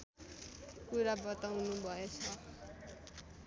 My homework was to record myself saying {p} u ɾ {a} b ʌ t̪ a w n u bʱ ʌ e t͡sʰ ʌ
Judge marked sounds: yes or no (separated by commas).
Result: no, yes